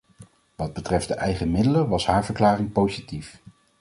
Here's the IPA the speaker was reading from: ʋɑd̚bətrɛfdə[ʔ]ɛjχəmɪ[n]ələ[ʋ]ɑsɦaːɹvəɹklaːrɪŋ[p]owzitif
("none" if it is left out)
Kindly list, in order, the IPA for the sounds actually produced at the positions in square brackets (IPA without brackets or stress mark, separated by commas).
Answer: ʔ, d, ʋ, p